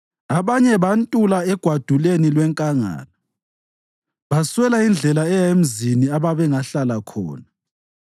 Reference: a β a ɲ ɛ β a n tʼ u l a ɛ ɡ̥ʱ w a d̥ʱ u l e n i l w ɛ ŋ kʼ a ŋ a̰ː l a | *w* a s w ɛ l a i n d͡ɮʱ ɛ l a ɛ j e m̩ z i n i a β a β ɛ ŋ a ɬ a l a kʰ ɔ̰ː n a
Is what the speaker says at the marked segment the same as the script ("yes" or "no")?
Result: no